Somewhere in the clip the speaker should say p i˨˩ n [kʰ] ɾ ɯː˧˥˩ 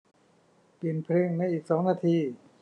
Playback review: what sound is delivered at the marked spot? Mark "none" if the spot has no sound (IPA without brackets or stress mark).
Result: pʰ